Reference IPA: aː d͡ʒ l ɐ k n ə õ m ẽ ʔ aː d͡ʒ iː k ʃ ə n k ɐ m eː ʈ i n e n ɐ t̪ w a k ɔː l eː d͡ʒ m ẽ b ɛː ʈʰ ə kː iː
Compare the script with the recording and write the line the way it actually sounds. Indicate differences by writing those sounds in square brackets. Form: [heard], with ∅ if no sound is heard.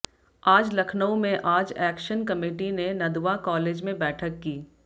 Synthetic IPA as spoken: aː d͡ʒ l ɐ [kʰ] n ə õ m ẽ ʔ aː d͡ʒ [ɛː] k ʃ ə n k ɐ m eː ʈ i n e n ɐ [d̪] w a k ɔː l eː d͡ʒ m ẽ b ɛː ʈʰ ə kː iː